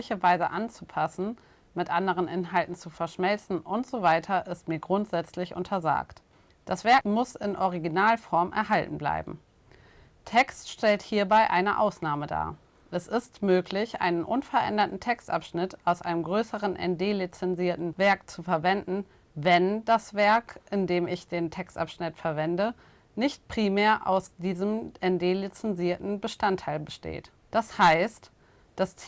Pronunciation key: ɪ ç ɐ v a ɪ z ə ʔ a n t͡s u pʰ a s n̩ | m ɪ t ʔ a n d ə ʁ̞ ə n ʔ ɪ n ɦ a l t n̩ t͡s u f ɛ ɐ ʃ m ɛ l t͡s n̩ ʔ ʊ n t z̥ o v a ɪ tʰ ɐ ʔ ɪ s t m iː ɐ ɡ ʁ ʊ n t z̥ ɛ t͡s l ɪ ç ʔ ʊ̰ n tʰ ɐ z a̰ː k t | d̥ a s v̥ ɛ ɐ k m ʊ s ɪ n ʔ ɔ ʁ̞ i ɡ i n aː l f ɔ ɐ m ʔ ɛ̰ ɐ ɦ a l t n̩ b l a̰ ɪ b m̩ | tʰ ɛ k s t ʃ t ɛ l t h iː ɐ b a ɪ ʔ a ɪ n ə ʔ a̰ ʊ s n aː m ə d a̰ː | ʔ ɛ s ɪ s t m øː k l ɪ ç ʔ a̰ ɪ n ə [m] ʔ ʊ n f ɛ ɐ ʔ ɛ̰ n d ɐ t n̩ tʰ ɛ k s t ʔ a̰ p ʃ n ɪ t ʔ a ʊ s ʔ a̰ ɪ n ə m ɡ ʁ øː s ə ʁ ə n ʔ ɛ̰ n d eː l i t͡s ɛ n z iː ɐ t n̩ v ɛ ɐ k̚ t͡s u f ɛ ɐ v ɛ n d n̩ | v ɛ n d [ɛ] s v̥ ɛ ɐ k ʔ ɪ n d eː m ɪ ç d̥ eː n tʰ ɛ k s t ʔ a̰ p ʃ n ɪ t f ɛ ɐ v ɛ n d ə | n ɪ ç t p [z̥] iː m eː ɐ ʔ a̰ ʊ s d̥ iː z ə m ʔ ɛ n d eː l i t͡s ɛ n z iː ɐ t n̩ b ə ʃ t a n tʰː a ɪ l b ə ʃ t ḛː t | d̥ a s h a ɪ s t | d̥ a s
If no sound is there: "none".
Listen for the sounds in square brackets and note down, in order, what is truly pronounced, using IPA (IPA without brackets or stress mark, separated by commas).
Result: n, a, ʁ̥